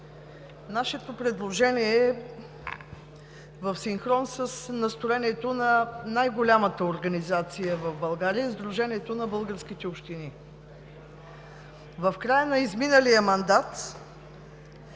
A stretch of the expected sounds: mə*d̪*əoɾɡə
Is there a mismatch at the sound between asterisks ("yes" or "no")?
yes